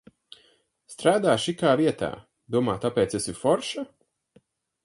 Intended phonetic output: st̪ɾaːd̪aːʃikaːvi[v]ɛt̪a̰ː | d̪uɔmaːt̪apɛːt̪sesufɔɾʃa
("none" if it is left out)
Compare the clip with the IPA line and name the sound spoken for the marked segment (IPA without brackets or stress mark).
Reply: none